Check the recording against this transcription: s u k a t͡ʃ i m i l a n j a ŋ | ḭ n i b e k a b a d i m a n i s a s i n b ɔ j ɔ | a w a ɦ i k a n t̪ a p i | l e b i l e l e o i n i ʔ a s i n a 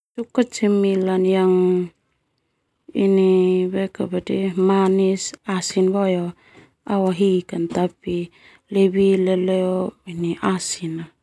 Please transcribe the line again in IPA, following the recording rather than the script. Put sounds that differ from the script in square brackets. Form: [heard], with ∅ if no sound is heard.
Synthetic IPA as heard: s u k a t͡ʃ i m i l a n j a ŋ | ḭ n i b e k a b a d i m a n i s a s i n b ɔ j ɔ | a w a ɦ i k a n t̪ a p i | l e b i l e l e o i n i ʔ a s i n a

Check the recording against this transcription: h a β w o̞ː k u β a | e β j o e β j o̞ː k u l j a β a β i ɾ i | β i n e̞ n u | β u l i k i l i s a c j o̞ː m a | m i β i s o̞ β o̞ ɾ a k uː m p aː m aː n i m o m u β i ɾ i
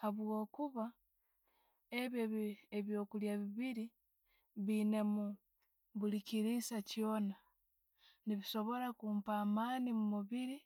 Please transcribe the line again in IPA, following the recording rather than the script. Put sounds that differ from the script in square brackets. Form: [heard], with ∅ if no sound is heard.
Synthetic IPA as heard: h a β w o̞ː k u β a | e β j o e β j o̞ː k u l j a β [i] β i ɾ i | β i n e̞ [m] u | β u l i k i [ɾ] i s a c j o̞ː [n] a | [n] i β i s o̞ β o̞ ɾ a k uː m p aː m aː n i m [u] m u β i ɾ i

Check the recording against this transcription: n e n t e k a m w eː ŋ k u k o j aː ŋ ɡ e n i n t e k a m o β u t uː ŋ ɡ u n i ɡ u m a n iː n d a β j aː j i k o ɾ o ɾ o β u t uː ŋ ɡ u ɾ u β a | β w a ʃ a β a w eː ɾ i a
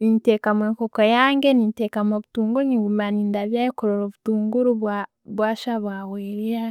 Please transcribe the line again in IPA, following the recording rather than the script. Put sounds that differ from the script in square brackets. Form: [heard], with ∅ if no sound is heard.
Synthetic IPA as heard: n [i] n t e k a m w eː ŋ k [o] k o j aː ŋ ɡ e n i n t e k a m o β u t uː ŋ ɡ u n i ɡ u m a n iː n d a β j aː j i k o ɾ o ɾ o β u t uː ŋ ɡ u ɾ u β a | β w a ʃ a β a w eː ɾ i a

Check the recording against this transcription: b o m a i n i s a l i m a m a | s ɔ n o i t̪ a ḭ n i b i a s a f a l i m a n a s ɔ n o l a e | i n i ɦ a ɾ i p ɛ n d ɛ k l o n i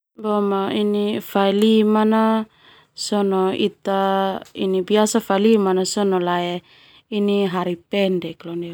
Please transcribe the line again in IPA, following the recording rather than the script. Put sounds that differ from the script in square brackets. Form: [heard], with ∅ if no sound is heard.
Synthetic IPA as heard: b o m a i n i [f] a l i m a [n] a | s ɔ n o i t̪ a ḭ n i b i a s a f a l i m a n a s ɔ n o l a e | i n i ɦ a ɾ i p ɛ n d ɛ k l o n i

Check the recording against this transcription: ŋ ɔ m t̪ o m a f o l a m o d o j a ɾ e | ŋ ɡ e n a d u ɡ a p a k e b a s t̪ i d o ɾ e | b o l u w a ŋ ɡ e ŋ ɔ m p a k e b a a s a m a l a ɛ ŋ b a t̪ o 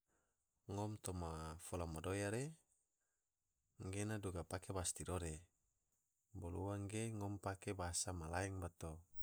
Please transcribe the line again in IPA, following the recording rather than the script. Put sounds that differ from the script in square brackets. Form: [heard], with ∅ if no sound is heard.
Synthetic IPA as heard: ŋ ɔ m t̪ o m a f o l a m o d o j a ɾ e | ŋ ɡ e n a d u ɡ a p a k e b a s t̪ i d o ɾ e | b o l u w a ŋ ɡ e ŋ ɔ m p a k e b a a s a m a l a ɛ ŋ b a t̪ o

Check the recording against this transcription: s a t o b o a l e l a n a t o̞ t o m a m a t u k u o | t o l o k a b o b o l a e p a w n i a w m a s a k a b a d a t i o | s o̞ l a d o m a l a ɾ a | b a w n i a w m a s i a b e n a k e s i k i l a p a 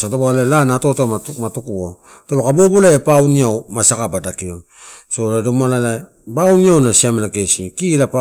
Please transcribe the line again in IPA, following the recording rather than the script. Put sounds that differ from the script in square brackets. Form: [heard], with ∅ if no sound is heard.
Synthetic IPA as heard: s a t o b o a l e l a n a t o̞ t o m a m a t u k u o | t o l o k a b o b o l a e p a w n i a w m a s a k a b a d a [k] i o | s o̞ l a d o m a l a [l] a | b a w n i a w [n] a s i a [m] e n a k e s i k i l a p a

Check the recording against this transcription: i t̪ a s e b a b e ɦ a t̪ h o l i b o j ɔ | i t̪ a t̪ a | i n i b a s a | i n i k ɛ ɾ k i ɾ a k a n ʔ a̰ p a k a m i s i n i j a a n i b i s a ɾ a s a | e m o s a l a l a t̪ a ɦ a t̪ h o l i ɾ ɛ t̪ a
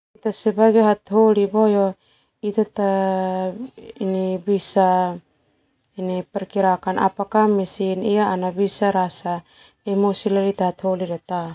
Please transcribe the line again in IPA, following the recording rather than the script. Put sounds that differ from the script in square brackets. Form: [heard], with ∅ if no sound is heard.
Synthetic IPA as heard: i t̪ a s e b a [ɡ] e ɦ a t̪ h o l i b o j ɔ | i t̪ a t̪ a | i n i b [i] s a | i n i [p] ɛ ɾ k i ɾ a k a n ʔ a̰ p a k a m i s i n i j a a n [a] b i s a ɾ a s a | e m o s [i] l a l [i] t̪ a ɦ a t̪ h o l i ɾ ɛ t̪ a

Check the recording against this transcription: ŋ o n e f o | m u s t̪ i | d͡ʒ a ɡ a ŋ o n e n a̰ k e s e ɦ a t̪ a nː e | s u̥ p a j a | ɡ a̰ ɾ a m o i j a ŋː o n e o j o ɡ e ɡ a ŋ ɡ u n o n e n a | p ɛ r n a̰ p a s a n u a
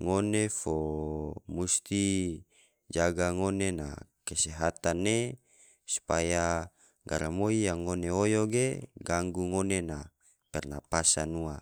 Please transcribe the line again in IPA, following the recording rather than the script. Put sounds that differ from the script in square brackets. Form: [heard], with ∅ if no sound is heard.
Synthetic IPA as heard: ŋ o n e f o | m u s t̪ i | d͡ʒ a ɡ a ŋ o n e n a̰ k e s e ɦ a t̪ a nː e | s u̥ p a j a | ɡ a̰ ɾ a m o i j a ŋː o n e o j o ɡ e ɡ a ŋ ɡ u [ŋ] o n e n a | p ɛ r n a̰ p a s a n u a

